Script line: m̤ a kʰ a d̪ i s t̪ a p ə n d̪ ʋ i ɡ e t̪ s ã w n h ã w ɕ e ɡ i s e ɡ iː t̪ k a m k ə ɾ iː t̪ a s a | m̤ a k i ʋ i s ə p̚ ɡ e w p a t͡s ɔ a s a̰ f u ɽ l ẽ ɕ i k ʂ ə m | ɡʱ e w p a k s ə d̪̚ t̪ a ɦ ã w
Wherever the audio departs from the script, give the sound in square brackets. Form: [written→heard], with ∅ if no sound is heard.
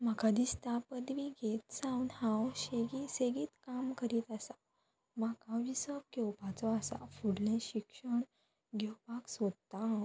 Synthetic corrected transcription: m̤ a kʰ a d̪ i s t̪ a p ə [n→∅] d̪ ʋ i ɡ e t̪ s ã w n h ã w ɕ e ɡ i s e ɡ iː t̪ k a m k ə ɾ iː t̪ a s a | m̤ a k [i→a] ʋ i s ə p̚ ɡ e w p a t͡s ɔ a s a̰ f u ɽ l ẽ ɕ i k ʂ ə [m→ɳ] | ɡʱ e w p a k s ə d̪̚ t̪ a ɦ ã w